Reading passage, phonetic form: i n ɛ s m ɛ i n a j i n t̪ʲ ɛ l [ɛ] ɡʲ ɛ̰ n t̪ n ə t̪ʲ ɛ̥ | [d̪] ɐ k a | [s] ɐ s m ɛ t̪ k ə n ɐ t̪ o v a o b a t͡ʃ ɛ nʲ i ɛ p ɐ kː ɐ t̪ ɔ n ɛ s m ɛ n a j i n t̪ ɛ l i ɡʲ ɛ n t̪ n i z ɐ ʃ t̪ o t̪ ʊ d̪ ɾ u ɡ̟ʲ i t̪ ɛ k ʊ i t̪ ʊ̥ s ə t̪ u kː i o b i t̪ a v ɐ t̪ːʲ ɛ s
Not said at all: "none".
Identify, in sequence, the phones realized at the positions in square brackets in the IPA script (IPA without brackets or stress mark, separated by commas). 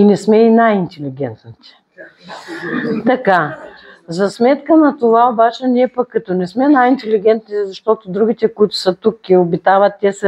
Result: i, t̪, z